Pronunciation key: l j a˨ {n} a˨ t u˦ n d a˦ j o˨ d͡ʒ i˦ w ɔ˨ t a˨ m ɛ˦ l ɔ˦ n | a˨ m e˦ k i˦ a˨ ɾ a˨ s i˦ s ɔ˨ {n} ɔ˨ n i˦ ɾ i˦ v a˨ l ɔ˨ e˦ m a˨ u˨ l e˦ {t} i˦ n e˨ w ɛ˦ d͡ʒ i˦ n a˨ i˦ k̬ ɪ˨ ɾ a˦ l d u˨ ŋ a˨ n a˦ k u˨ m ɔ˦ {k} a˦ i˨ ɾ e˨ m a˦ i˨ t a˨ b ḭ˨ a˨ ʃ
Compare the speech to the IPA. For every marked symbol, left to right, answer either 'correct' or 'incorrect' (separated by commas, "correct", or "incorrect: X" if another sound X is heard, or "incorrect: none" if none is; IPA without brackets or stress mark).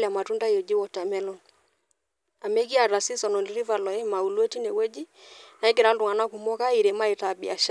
incorrect: m, correct, correct, correct